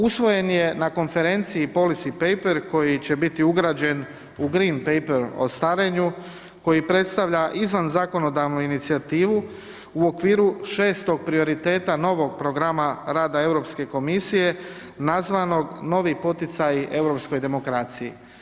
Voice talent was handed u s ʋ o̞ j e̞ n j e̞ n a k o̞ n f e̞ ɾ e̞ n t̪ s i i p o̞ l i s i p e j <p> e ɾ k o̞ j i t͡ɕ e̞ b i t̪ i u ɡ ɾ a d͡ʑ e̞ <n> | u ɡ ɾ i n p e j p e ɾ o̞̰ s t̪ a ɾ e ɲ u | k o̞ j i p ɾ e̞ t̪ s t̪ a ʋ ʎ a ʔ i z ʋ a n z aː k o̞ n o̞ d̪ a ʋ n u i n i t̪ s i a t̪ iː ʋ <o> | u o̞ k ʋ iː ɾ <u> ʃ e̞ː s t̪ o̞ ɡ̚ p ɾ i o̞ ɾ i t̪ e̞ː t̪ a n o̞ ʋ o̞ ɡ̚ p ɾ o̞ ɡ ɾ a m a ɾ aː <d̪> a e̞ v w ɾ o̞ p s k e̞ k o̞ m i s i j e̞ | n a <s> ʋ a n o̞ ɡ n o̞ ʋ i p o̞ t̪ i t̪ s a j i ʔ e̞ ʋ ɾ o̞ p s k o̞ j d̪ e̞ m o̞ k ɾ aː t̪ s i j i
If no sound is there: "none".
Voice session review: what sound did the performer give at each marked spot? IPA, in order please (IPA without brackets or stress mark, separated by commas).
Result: p, n, u, u, d̪, z